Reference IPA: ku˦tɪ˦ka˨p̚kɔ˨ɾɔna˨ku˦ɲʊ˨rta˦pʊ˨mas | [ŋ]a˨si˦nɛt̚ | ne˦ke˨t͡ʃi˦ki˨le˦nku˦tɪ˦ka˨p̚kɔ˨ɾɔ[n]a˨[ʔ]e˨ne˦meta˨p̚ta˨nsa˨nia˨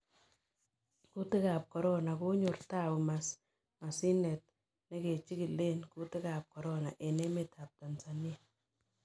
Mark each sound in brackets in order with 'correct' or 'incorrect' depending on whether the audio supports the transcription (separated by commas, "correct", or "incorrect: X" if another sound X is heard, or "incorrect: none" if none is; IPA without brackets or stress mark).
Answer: incorrect: m, correct, correct